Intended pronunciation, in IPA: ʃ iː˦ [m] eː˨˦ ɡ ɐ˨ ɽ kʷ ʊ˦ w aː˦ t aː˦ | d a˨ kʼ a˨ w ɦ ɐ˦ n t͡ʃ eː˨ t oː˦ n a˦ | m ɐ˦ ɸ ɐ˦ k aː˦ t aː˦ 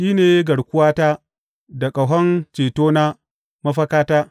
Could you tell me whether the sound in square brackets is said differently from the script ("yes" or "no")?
yes